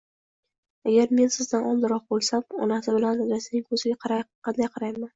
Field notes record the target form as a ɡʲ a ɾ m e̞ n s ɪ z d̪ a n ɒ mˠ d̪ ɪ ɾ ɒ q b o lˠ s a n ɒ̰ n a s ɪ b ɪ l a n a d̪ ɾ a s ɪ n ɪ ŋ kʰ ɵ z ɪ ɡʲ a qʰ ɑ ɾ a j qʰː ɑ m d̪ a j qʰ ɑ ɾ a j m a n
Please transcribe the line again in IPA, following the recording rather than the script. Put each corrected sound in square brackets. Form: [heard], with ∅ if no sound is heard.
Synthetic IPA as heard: a ɡʲ a ɾ m e̞ n s ɪ z d̪ a n ɒ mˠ d̪ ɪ ɾ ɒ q b o lˠ s a [m] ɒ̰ n a s ɪ b ɪ l a n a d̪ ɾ a s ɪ n ɪ ŋ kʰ ɵ z ɪ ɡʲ a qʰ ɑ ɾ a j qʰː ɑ [n] d̪ a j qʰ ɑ ɾ a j m a n